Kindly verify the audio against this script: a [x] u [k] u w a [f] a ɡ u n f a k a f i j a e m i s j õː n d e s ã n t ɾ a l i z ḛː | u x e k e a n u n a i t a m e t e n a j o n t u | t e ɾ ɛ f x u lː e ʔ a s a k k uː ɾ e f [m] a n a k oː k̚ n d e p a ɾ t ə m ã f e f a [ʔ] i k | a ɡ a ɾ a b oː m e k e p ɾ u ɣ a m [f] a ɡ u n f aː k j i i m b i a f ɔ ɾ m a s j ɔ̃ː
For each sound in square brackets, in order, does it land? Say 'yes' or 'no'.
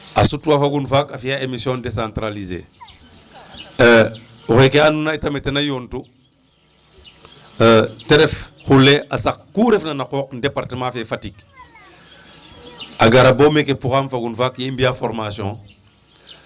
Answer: no, no, yes, no, no, yes

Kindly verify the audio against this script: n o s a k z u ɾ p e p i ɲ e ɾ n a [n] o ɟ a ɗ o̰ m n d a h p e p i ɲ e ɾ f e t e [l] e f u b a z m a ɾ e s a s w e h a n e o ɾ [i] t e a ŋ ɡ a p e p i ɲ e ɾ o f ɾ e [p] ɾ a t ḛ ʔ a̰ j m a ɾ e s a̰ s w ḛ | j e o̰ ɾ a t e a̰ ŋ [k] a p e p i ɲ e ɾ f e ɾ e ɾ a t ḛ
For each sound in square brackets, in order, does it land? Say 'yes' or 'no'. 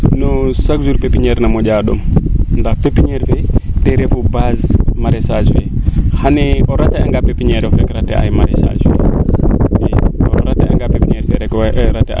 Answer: no, no, no, no, no

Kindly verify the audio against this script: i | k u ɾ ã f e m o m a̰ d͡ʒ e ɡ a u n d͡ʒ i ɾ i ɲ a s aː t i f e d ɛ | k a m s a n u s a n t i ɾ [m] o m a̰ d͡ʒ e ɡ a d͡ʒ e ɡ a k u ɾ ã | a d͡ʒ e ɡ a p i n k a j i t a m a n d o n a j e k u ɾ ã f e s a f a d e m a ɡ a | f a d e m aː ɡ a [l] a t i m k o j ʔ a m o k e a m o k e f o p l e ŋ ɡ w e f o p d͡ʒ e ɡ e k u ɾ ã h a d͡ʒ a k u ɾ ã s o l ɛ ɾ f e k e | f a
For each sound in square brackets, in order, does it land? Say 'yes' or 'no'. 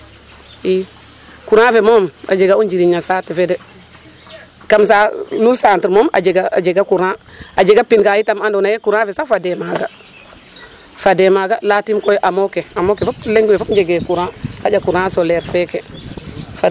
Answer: yes, yes

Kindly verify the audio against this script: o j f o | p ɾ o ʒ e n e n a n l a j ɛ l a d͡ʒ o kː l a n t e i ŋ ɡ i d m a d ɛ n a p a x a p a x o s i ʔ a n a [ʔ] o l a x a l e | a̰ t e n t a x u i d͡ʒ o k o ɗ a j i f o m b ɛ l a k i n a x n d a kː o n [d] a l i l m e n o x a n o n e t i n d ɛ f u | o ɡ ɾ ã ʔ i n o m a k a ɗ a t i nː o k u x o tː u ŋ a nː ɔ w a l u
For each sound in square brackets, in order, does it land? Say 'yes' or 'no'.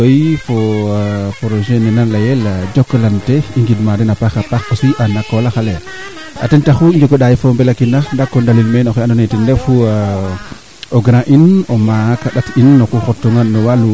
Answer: no, yes

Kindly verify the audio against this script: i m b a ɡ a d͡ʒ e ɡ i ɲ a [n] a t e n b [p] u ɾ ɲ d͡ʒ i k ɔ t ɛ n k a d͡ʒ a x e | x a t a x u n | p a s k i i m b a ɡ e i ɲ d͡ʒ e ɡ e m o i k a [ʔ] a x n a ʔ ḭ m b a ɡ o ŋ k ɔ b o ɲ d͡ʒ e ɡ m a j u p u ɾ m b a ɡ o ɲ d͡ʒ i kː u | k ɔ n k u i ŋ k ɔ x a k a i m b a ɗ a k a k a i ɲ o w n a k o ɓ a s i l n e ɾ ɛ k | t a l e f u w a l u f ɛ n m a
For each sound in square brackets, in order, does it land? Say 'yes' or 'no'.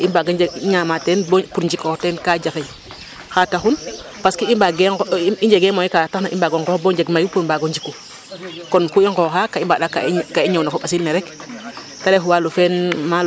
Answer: no, yes, no

